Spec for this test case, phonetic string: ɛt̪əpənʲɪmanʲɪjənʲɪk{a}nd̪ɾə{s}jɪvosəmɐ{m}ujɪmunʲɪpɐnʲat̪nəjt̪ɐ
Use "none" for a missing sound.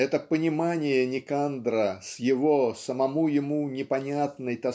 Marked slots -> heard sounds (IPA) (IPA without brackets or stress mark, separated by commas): a, s, m